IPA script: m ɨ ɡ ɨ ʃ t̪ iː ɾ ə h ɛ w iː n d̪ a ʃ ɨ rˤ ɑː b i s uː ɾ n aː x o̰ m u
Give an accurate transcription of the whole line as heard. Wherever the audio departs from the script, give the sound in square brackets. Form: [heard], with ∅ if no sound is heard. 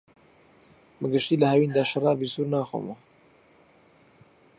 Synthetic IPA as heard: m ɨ ɡ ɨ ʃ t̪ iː [l] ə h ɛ w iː n d̪ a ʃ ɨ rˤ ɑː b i s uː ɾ n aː x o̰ m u